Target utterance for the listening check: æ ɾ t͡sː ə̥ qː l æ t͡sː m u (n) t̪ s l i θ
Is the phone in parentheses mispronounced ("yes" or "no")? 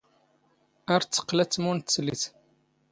no